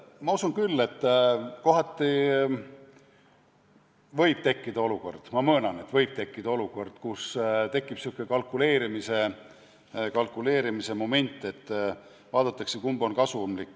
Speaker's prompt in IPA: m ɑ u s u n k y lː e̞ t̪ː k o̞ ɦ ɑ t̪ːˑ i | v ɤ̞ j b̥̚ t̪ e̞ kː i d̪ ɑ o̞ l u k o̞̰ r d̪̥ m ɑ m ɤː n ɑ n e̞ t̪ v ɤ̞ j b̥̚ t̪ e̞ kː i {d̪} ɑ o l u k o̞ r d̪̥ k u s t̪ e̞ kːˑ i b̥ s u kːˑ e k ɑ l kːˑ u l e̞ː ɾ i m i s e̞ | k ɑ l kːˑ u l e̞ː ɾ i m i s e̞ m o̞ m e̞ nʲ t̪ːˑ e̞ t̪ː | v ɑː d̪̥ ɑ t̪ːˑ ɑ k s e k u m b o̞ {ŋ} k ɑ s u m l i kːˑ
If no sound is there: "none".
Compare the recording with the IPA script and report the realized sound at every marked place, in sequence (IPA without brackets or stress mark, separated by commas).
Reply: d̪, n